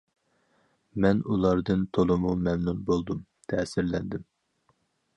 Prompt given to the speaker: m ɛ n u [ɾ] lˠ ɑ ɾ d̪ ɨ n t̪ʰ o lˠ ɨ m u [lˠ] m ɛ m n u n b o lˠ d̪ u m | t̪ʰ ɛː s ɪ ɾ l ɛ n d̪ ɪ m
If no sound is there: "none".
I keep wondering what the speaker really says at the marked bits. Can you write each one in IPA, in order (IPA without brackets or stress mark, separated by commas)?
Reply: none, none